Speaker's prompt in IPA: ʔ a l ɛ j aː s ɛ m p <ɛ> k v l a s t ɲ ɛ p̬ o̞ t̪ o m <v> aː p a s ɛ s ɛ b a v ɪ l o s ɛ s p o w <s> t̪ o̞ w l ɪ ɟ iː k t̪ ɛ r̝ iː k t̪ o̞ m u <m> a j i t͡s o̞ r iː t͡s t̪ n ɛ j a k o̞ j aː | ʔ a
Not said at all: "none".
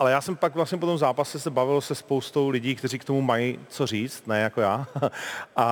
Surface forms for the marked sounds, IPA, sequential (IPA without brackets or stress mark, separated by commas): a, z, s, m